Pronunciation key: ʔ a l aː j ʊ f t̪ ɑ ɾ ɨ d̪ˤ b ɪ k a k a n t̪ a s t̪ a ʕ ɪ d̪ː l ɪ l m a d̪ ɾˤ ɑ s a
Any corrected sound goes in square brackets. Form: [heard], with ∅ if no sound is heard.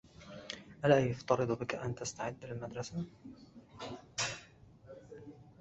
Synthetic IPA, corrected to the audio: ʔ a l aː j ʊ f t̪ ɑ ɾ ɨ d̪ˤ b ɪ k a [ʔ] a n t̪ a s t̪ a ʕ ɪ d̪ː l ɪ l m a d̪ ɾˤ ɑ s a